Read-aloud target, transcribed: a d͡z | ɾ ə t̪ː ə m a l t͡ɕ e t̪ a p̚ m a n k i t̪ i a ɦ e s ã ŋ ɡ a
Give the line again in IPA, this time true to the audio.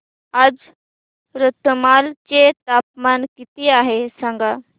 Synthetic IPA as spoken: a d͡z | ɾ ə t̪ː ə m a l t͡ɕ e t̪ a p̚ m a n k i t̪ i a ɦ e s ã ŋ ɡ a